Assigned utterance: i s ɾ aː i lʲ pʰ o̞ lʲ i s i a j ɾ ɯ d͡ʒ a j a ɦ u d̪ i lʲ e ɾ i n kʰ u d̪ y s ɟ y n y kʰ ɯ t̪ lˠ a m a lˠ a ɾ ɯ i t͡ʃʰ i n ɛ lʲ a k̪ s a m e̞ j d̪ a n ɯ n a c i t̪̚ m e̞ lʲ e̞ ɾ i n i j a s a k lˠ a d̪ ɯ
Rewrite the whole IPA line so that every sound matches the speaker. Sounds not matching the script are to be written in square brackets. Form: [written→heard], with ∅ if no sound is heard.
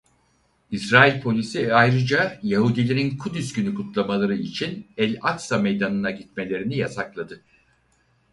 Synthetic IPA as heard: i s ɾ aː i lʲ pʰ o̞ lʲ i s i a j ɾ ɯ d͡ʒ a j a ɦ u d̪ i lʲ e ɾ i n kʰ u d̪ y s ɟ y n y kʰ [ɯ→u] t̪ lˠ a m a lˠ a ɾ ɯ i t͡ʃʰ i n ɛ lʲ a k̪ s a m e̞ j d̪ a n ɯ n a [c→ɟ] i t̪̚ m e̞ lʲ e̞ ɾ i n i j a s a k lˠ a d̪ ɯ

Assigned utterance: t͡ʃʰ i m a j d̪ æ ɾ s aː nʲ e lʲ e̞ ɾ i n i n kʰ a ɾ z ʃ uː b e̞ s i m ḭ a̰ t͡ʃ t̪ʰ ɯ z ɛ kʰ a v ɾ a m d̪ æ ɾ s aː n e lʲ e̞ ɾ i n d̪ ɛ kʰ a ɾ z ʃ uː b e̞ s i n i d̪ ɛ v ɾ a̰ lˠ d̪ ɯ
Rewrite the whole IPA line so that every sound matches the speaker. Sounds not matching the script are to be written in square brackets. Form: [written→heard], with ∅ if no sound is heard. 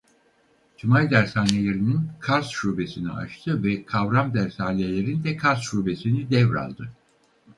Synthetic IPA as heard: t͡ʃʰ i m a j d̪ æ ɾ s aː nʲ e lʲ e̞ ɾ i n i n kʰ a ɾ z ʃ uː b e̞ s i [m→n] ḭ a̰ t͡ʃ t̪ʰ ɯ [z→v] ɛ kʰ a v ɾ a m d̪ æ ɾ s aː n e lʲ e̞ ɾ i n d̪ ɛ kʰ a ɾ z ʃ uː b e̞ s i n i d̪ ɛ v ɾ a̰ lˠ d̪ ɯ

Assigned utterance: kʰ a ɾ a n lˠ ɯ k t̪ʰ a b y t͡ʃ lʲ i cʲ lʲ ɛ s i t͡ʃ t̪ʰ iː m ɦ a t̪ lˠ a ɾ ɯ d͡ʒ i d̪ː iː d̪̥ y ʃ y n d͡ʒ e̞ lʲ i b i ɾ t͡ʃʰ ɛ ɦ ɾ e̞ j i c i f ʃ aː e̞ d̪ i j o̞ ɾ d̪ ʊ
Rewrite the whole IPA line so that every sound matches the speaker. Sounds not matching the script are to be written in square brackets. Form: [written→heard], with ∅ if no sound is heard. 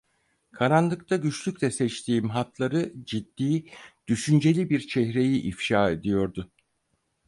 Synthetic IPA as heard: kʰ a ɾ a n lˠ ɯ k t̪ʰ a [b→ɟ] y t͡ʃ lʲ [i→y] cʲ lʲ ɛ s [i→ɛ] t͡ʃ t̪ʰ iː m ɦ a t̪ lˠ a ɾ ɯ d͡ʒ i d̪ː iː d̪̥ y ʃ y n d͡ʒ e̞ lʲ i b i ɾ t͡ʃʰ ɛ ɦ ɾ e̞ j i [c→ʔ] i f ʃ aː e̞ d̪ i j o̞ ɾ d̪ ʊ

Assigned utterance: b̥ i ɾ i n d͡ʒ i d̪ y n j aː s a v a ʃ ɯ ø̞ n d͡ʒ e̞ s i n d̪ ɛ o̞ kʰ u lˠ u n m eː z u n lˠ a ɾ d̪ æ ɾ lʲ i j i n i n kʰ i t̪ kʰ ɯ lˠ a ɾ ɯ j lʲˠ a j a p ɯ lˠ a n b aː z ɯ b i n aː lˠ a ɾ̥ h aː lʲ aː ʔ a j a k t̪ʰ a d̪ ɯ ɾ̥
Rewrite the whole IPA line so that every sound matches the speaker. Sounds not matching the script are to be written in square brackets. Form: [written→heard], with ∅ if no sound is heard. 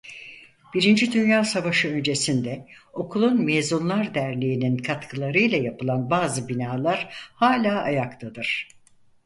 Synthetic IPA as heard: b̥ i ɾ i n d͡ʒ i d̪ y n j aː s a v a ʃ ɯ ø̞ n d͡ʒ e̞ s i n d̪ ɛ o̞ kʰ u lˠ u n m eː z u n lˠ a ɾ d̪ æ ɾ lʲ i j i n i n kʰ [i→a] t̪ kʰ ɯ lˠ a ɾ ɯ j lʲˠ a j a p ɯ lˠ a n b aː z ɯ b i n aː lˠ a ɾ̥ h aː lʲ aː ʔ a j a k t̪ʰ a d̪ ɯ ɾ̥

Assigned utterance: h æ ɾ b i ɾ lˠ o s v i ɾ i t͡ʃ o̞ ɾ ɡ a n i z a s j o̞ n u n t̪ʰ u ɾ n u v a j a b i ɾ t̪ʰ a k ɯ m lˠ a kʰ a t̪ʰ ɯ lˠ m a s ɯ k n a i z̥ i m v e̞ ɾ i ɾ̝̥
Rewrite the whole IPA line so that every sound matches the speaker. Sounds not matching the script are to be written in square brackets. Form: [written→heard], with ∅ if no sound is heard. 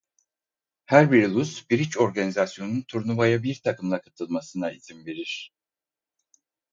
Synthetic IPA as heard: h æ ɾ b i ɾ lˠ [o→u] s [v→b] i ɾ i t͡ʃ o̞ ɾ ɡ a n i z a s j o̞ n u n t̪ʰ u ɾ n u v a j a b i ɾ t̪ʰ a k ɯ m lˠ a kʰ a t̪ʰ ɯ lˠ m a s ɯ [k→∅] n a i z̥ i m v e̞ ɾ i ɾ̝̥

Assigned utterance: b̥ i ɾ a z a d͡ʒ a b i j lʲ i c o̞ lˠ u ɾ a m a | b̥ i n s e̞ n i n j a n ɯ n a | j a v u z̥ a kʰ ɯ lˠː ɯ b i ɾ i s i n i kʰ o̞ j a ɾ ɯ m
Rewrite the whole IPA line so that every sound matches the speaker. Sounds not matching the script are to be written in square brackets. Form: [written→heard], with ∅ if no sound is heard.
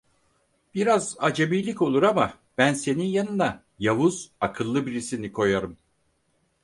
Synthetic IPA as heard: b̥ i ɾ a z a d͡ʒ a b i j lʲ i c o̞ lˠ u ɾ a m a | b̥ [i→æ] n s e̞ n i n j a n ɯ n a | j a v u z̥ a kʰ ɯ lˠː ɯ b i ɾ i s i n i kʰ o̞ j a ɾ ɯ m

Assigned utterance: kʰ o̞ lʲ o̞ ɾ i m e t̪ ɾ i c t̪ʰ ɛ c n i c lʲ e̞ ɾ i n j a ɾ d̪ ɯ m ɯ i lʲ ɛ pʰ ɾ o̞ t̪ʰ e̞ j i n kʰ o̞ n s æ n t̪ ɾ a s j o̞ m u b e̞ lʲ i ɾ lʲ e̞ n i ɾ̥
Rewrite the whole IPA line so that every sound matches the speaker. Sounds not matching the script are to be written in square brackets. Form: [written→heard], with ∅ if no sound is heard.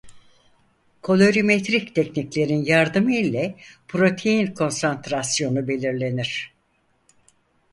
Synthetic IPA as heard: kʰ o̞ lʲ o̞ ɾ i m e t̪ ɾ i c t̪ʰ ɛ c n i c lʲ e̞ ɾ i n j a ɾ d̪ ɯ m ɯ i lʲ ɛ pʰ ɾ o̞ t̪ʰ e̞ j i n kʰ o̞ n s [æ→a] n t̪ ɾ a s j o̞ [m→n] u b e̞ lʲ i ɾ lʲ e̞ n i ɾ̥

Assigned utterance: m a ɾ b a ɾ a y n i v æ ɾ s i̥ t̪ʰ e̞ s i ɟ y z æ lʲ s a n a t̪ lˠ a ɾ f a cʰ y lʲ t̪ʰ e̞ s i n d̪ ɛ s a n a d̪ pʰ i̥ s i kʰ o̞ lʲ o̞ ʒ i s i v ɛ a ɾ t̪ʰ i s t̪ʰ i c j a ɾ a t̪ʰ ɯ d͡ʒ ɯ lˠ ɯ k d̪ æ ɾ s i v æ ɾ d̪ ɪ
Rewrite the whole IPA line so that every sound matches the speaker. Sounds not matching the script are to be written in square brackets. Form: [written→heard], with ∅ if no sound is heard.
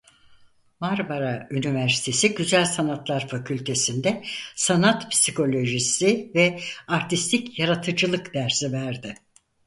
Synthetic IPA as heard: m a ɾ b a ɾ a y n i v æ ɾ s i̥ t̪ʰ e̞ s i ɟ y z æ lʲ s a n a t̪ lˠ a ɾ f a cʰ y lʲ t̪ʰ e̞ s i n d̪ ɛ s a n a [d̪→t̪] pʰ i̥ s i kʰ o̞ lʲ o̞ ʒ i s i v ɛ a ɾ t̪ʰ i s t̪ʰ i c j a ɾ a t̪ʰ ɯ d͡ʒ ɯ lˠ ɯ k d̪ æ ɾ s i v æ ɾ d̪ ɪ

